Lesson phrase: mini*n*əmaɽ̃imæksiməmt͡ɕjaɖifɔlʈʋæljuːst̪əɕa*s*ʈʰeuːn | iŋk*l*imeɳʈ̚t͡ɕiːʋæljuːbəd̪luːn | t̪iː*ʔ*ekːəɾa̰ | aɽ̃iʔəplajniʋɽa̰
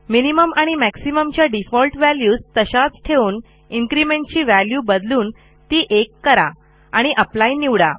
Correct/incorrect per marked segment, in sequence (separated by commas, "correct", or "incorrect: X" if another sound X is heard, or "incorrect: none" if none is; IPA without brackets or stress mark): incorrect: m, incorrect: t͡s, incorrect: ɾ, correct